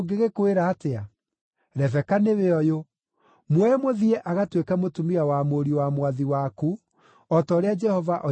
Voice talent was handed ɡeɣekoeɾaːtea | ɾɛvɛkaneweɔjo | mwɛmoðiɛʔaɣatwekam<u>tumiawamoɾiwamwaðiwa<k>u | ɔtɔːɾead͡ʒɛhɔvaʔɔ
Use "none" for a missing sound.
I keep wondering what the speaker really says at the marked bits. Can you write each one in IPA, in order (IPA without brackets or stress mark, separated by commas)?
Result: o, k